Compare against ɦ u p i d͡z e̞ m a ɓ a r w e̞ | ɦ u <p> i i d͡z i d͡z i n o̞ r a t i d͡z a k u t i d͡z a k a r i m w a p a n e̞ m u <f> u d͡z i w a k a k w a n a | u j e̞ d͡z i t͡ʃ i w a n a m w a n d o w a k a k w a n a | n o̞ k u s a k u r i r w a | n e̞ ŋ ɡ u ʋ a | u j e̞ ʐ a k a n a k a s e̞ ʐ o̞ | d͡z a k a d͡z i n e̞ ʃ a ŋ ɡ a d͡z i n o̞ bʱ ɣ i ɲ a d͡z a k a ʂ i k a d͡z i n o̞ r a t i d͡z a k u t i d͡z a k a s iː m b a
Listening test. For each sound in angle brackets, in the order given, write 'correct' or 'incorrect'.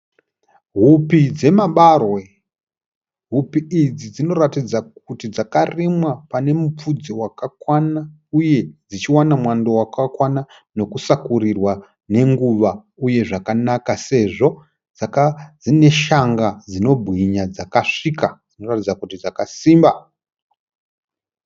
correct, incorrect

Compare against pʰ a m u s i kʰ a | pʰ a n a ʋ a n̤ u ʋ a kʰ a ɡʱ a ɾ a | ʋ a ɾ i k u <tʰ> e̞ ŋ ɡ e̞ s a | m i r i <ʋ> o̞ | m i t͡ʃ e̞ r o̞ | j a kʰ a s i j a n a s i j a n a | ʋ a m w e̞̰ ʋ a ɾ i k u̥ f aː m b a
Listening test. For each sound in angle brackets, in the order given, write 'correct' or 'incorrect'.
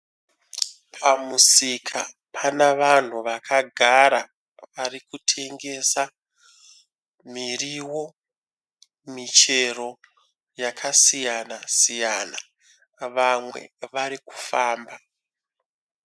correct, incorrect

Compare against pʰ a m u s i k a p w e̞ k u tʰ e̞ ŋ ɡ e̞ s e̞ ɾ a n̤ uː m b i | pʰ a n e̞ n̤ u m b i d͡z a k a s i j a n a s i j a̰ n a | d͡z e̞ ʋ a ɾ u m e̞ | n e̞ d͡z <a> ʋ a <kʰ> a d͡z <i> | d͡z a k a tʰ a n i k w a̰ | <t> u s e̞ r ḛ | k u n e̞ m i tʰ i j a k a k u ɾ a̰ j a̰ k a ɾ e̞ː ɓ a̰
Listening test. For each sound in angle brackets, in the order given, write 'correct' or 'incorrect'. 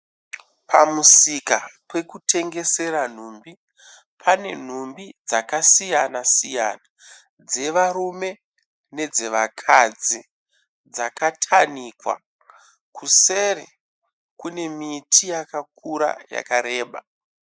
incorrect, correct, correct, incorrect

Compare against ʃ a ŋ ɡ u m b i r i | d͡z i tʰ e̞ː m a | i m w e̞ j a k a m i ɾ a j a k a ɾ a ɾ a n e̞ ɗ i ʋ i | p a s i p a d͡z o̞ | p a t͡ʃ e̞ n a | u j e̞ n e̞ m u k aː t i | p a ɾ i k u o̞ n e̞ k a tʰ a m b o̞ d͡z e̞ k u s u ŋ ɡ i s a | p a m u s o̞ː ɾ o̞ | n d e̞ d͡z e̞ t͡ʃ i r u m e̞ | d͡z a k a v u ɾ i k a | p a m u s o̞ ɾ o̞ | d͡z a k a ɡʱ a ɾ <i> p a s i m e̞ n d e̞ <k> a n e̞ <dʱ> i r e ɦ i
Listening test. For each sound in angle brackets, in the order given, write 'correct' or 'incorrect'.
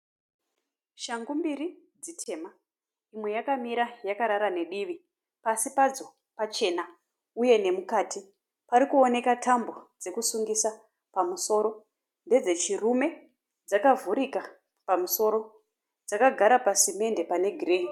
incorrect, incorrect, incorrect

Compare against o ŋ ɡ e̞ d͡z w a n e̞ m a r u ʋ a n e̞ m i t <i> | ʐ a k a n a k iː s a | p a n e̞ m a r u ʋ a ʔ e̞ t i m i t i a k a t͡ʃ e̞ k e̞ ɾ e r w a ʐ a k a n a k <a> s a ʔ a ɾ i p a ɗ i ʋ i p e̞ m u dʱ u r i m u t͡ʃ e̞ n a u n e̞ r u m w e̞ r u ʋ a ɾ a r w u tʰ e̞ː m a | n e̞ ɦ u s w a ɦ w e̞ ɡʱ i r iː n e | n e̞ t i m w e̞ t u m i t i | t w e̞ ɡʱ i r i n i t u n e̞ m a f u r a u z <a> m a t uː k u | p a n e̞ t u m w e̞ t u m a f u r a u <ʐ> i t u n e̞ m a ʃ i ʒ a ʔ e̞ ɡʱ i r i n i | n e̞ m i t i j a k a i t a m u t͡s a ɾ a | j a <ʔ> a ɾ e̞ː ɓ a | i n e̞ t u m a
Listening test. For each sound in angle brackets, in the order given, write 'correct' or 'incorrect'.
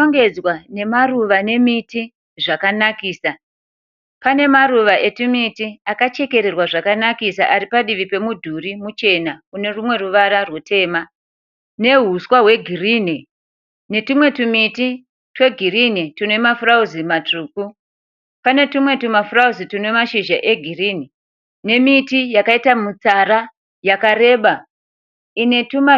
correct, incorrect, incorrect, incorrect, incorrect

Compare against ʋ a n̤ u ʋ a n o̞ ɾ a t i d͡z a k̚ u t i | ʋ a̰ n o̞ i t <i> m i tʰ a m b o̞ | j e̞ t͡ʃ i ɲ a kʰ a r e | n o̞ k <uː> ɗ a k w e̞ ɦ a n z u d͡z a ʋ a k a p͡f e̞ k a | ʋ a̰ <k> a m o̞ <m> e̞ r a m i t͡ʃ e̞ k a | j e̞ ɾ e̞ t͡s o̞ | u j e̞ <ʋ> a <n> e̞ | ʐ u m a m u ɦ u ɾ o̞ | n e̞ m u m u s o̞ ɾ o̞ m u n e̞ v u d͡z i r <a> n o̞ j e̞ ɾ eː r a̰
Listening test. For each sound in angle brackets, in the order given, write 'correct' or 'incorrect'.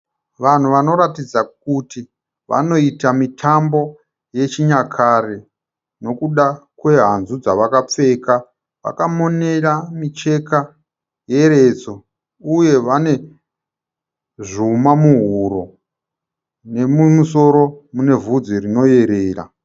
incorrect, incorrect, correct, incorrect, correct, correct, incorrect

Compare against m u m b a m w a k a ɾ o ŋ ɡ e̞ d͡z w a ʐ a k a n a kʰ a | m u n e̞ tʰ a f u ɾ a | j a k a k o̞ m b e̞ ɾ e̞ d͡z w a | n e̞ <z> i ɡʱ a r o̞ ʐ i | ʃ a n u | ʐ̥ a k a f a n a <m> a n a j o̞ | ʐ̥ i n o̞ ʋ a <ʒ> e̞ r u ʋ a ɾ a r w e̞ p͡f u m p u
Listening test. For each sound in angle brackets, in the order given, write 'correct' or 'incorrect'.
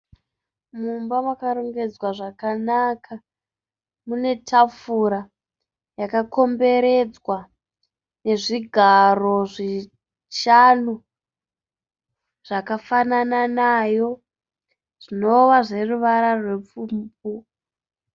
incorrect, incorrect, incorrect

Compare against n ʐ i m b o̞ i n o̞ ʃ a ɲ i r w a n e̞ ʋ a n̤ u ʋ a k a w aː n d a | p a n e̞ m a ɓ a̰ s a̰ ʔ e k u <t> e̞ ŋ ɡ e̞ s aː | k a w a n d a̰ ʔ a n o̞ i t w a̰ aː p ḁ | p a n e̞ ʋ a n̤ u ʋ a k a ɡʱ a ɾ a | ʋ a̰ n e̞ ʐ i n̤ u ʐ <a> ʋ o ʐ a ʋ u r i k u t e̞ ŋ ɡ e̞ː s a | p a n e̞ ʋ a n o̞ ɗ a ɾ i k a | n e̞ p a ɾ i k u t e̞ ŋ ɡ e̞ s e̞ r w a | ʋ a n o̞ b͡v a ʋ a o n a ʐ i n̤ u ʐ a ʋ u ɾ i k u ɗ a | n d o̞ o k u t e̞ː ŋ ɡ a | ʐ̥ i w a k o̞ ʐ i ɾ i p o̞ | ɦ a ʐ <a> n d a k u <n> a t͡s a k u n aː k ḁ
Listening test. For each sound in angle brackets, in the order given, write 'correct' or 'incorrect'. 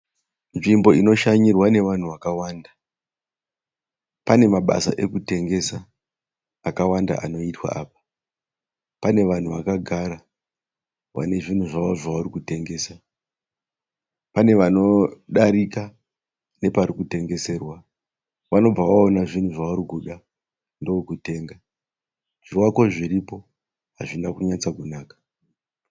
correct, correct, incorrect, incorrect

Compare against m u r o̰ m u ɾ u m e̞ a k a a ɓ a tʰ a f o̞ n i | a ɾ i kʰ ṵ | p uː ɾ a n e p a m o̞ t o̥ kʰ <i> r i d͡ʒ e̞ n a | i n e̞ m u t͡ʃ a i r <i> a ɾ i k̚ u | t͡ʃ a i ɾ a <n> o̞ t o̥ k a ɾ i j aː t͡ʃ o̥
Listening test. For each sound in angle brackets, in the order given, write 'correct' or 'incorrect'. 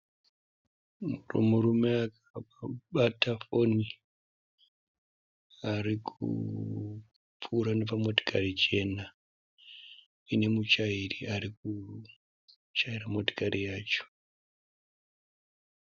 incorrect, correct, incorrect

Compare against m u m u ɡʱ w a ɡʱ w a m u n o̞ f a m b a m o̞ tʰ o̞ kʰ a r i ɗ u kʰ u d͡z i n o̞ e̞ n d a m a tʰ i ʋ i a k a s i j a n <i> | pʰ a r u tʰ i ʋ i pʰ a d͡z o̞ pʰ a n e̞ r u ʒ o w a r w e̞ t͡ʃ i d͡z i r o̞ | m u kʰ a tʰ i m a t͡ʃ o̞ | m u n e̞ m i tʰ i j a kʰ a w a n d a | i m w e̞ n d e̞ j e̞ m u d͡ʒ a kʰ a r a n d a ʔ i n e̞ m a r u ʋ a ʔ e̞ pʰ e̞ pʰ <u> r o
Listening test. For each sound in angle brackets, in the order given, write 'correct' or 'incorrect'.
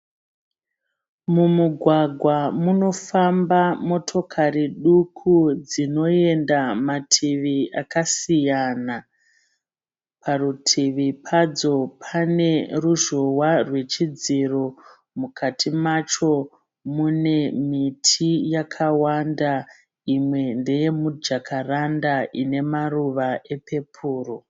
incorrect, incorrect

